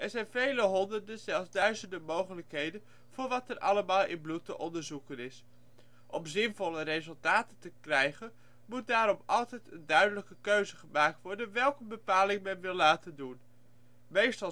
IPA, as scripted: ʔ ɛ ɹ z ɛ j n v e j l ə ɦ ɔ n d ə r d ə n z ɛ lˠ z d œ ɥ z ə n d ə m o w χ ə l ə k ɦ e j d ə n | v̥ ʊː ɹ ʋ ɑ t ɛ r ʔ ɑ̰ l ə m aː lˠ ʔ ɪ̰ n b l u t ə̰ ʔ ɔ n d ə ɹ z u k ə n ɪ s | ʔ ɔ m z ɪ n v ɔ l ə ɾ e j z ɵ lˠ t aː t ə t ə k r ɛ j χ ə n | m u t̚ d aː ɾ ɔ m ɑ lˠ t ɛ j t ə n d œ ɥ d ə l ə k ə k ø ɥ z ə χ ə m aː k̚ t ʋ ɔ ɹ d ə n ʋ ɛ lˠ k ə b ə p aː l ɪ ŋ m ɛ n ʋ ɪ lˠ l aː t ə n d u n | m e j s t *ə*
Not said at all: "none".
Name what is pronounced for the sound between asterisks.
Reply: ɑ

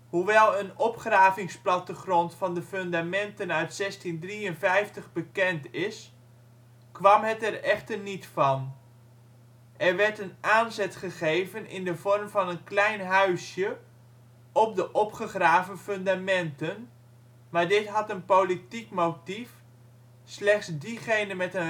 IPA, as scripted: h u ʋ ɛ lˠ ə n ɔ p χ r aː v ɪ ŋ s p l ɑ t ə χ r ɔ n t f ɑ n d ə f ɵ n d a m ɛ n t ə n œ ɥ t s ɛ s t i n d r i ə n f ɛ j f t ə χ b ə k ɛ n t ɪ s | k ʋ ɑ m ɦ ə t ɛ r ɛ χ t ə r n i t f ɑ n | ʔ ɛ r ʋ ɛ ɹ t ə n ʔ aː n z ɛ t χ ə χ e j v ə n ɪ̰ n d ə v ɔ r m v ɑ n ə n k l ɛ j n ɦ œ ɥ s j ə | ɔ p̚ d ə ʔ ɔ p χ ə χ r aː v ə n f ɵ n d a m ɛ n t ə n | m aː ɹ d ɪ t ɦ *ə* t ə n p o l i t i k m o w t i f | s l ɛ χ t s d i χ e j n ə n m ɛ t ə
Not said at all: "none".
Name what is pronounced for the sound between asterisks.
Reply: ɑ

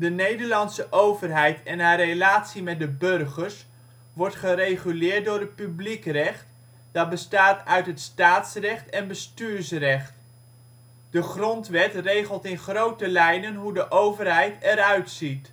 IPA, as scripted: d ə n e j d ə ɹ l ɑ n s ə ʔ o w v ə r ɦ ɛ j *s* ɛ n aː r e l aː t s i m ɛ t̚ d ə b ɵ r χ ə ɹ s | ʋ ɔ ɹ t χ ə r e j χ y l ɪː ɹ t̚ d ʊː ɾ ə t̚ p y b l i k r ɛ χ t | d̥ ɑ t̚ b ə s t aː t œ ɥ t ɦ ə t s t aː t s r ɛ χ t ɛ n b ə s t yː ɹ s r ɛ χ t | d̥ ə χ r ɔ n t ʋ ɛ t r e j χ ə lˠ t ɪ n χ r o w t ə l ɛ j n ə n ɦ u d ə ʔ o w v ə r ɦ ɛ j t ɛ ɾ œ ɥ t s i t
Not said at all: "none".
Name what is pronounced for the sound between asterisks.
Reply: t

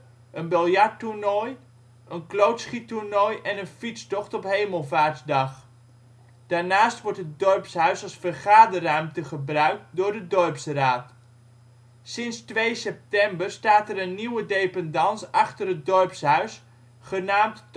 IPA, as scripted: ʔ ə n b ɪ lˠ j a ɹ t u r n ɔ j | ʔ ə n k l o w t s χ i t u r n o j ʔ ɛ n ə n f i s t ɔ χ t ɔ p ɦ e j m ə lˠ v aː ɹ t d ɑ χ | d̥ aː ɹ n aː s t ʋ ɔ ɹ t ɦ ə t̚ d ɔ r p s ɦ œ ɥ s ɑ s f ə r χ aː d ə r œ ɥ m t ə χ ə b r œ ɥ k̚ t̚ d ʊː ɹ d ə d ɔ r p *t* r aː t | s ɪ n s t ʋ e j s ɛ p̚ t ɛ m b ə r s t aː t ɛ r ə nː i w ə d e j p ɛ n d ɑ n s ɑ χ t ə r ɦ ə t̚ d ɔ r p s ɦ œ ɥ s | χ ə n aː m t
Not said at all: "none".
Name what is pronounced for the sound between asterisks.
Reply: s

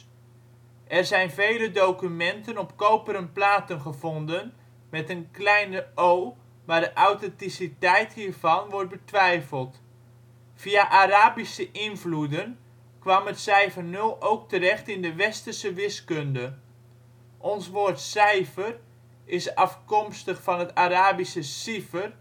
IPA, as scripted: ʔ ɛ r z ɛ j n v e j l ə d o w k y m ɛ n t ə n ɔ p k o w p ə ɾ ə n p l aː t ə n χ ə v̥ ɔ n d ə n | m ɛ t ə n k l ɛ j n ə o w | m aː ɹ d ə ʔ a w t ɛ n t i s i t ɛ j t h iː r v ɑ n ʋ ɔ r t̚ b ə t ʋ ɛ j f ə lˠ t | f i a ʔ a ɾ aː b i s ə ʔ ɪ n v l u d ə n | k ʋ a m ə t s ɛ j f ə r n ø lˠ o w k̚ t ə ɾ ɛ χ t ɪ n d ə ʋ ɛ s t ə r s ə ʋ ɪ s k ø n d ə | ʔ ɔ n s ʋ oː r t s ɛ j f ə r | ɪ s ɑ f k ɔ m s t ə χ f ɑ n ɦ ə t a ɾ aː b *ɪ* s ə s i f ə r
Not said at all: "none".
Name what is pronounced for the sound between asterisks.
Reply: i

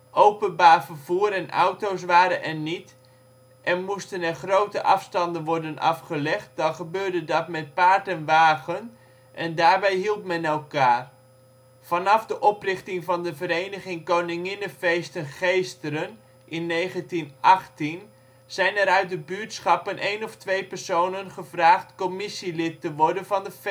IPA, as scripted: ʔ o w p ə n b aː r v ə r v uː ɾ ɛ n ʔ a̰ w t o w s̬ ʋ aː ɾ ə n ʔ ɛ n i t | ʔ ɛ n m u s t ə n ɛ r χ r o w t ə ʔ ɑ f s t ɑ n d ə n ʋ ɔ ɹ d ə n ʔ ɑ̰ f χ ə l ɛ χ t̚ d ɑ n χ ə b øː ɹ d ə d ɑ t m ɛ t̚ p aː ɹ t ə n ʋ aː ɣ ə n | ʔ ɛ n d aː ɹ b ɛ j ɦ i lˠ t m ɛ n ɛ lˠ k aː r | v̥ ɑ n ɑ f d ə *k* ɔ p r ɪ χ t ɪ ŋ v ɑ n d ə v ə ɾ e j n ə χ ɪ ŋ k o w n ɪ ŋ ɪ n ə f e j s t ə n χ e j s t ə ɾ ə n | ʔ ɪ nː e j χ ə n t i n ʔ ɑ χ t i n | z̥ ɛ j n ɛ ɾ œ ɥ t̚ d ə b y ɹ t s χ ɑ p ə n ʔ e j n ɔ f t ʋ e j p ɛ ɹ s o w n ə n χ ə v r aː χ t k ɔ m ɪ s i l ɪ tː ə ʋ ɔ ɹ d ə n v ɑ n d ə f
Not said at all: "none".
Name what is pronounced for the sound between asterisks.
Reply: ʔ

